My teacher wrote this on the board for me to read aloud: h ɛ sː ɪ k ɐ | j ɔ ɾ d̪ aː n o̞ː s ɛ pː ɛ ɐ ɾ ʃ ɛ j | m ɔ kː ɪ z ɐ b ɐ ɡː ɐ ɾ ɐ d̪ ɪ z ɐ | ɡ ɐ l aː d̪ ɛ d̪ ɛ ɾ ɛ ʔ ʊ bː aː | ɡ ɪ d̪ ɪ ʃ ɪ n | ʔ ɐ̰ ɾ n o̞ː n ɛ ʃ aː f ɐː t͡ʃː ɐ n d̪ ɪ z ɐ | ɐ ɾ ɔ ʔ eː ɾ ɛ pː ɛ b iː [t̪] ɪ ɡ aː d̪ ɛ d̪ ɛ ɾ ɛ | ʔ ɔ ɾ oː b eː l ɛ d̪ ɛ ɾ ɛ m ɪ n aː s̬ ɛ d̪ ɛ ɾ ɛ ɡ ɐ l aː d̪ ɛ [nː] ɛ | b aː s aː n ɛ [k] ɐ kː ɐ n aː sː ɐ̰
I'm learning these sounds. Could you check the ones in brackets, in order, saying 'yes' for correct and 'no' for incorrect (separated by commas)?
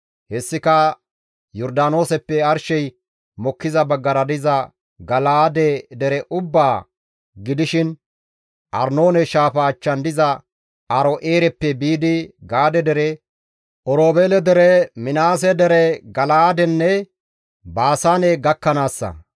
no, yes, no